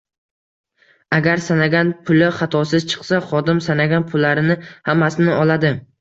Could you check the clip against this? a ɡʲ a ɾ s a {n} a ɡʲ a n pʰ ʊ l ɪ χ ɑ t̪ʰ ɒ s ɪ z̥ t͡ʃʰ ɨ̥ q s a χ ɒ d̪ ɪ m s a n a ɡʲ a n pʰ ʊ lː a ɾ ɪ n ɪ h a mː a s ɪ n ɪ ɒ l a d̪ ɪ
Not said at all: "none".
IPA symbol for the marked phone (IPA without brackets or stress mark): n